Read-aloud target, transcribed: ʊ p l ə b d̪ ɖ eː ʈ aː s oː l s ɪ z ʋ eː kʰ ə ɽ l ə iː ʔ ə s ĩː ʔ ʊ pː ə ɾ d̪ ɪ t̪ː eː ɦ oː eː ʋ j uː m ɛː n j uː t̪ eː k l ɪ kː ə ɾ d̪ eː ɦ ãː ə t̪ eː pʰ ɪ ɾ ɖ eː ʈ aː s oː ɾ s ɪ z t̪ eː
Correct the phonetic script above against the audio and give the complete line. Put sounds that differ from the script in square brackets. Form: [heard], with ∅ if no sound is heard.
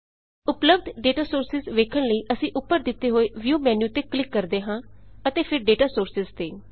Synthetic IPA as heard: ʊ p l ə b d̪ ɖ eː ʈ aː s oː [ɾ] s ɪ z ʋ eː kʰ ə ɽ l ə iː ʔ ə s ĩː ʔ ʊ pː ə ɾ d̪ ɪ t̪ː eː ɦ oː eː ʋ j uː m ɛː n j uː t̪ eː k l ɪ kː ə ɾ d̪ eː ɦ ãː ə t̪ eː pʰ ɪ ɾ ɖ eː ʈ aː s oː ɾ s ɪ z t̪ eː